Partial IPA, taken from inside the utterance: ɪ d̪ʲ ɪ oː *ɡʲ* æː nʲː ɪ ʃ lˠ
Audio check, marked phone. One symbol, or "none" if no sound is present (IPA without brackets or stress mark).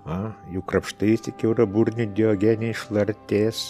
ɡʲ